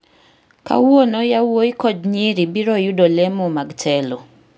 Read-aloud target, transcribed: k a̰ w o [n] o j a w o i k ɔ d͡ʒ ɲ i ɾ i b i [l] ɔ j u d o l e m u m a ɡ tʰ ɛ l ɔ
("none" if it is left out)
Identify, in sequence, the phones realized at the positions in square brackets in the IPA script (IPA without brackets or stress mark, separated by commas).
n, ɾ